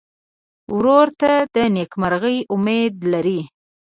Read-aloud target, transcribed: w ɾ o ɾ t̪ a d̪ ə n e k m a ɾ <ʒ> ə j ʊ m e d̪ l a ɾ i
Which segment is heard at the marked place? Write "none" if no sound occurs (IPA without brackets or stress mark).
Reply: ɣ